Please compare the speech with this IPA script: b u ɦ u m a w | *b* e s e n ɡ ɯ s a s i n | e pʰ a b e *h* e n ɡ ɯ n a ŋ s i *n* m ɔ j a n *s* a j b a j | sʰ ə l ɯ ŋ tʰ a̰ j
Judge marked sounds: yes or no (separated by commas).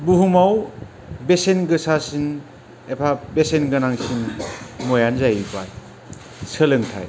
yes, no, yes, no